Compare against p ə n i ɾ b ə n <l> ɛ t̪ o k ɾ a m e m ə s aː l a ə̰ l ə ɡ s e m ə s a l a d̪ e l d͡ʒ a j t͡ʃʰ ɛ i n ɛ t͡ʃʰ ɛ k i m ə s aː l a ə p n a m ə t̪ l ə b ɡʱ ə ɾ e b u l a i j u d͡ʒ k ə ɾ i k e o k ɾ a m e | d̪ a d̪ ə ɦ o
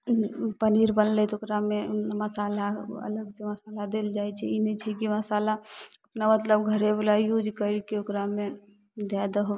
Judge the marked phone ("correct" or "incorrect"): correct